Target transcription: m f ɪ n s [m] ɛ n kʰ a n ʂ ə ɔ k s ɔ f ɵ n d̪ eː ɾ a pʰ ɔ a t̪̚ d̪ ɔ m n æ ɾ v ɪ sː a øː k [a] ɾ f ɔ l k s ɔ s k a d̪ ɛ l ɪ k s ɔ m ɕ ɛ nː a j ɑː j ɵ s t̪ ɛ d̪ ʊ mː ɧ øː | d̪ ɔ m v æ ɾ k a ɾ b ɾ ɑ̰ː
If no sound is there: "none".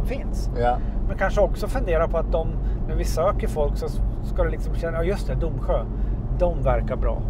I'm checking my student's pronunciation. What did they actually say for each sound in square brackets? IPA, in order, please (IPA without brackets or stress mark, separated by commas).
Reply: m, ə